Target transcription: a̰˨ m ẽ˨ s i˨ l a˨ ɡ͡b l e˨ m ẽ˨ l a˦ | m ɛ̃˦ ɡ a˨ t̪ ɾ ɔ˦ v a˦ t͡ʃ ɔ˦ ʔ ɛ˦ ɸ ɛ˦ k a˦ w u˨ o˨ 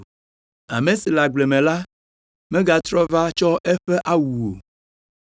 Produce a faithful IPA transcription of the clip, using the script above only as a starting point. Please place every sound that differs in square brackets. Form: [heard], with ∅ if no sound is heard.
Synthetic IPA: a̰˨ m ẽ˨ s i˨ l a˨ ɡ͡b l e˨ m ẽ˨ l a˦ | m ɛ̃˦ ɡ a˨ t̪ ɾ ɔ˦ v a˦ t͡ʃ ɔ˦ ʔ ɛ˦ ɸ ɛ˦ [ʔ] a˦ w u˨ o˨